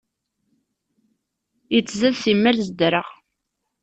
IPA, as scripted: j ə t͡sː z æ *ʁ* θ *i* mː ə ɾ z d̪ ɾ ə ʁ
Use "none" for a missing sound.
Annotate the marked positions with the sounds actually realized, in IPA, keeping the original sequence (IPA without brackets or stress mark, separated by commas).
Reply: ð, i